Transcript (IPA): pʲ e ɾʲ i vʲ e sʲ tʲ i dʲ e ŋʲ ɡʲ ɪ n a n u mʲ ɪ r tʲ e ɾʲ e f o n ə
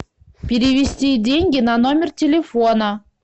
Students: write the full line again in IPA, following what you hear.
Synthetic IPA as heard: pʲ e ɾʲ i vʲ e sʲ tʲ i dʲ e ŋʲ ɡʲ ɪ n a n o mʲ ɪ r tʲ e lʲ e f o n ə

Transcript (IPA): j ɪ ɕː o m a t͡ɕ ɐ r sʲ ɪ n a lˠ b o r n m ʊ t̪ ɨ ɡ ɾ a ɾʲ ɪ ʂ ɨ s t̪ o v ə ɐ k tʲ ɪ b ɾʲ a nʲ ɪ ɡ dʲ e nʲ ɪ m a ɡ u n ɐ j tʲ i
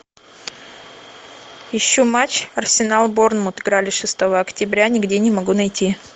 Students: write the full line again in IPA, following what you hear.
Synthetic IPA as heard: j ɪ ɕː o m a t͡ɕ ɐ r sʲ ɪ n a lˠ b o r n m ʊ t̪ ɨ ɡ ɾ a lʲ ɪ ʂ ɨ s t̪ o v ə ɐ k tʲ ɪ b ɾʲ a nʲ ɪ ɡ dʲ e nʲ ɪ m ɐ ɡ u n ɐ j tʲ i

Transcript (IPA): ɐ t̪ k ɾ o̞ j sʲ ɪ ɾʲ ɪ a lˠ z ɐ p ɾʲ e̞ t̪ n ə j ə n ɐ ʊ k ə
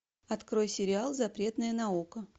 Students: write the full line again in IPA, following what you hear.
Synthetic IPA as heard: ɐ t̪ k ɾ o̞ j sʲ ɪ ɾʲ ɪ a lˠ z ɐ p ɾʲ e̞ t̪ n ə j ə n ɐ u k ə

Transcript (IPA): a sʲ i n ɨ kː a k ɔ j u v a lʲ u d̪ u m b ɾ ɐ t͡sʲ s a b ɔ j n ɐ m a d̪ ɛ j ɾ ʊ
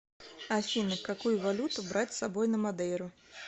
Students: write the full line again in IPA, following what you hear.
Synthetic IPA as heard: a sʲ i n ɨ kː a k u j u v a lʲ u t̪ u b ɾ a t͡sʲ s a b ɔ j n ɐ m a d̪ ɛ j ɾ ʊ

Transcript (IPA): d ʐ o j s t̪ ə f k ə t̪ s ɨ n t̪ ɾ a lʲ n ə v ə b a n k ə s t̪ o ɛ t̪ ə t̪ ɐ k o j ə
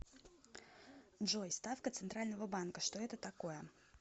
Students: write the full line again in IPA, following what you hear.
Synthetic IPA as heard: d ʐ o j s t̪ a f k ə t̪ s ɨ n t̪ ɾ a lʲ n ə v ə b a n k ə ʂ t̪ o ɛ t̪ ə t̪ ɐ k o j ə

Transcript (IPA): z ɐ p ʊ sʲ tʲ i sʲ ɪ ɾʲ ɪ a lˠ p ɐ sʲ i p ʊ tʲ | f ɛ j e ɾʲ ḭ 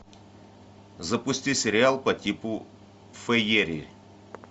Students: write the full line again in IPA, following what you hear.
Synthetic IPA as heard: z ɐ p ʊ sʲ tʲ i sʲ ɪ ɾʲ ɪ a lˠ p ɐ tʲ i p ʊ | f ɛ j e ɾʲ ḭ

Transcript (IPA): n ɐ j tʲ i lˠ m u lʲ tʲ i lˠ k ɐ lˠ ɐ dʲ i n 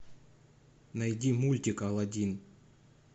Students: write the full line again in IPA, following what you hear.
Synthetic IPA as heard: n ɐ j dʲ i m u lʲ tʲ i k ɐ lˠ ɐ dʲ i n

